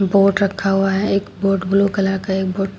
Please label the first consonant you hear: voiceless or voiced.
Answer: voiced